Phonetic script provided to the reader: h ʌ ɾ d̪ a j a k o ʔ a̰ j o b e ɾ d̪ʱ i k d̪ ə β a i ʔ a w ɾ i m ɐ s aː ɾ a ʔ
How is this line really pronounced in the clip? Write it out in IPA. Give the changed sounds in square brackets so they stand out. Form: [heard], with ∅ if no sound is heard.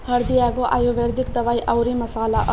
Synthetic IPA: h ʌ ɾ d̪ [i] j a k o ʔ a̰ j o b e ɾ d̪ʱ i k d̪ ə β a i ʔ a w ɾ i m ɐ s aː [l] a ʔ